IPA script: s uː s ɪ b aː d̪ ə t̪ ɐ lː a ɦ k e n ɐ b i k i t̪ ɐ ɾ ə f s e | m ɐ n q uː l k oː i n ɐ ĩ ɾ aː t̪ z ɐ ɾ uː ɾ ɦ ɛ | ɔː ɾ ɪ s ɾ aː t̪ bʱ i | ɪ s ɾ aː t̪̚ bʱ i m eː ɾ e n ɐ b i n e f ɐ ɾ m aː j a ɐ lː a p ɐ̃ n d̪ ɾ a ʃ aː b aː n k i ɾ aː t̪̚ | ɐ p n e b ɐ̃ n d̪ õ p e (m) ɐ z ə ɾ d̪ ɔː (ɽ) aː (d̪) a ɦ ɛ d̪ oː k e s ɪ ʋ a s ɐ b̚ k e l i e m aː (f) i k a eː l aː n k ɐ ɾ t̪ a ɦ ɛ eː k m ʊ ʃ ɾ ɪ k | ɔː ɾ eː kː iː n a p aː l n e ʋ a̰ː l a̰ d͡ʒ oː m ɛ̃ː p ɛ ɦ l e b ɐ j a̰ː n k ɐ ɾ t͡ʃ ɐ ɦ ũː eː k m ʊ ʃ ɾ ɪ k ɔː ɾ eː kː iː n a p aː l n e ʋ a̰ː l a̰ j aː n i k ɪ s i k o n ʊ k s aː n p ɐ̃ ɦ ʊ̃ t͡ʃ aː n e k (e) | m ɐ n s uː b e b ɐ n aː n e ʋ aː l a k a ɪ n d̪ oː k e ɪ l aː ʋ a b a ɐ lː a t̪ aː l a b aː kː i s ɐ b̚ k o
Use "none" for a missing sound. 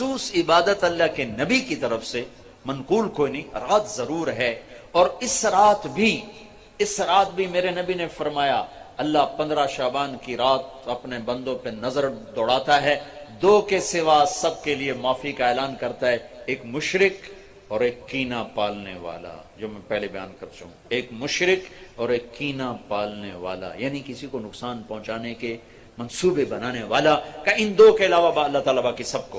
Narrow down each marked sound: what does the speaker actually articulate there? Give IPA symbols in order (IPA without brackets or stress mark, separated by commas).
n, ɽ, t̪, f, e